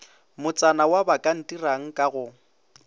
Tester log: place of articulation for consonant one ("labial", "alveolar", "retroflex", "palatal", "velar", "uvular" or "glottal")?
labial